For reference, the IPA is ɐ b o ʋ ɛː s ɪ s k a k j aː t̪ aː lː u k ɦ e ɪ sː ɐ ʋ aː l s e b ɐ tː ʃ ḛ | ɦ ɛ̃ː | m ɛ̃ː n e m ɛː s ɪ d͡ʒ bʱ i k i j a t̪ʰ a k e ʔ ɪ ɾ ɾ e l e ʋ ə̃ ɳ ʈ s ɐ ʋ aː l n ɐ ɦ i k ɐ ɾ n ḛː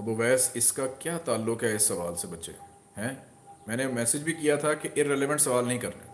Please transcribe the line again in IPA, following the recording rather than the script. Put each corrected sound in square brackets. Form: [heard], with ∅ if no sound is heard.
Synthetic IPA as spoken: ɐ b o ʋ ɛː s ɪ s k a k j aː t̪ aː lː [ʊ] k ɦ [ɛ] ɪ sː ɐ ʋ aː l s e b ɐ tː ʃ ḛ | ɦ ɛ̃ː | m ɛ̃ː n e m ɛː s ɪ d͡ʒ bʱ i k i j a t̪ʰ a k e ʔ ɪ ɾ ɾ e l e ʋ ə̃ ɳ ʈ s ɐ ʋ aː l n ɐ ɦ [ĩ] k ɐ ɾ n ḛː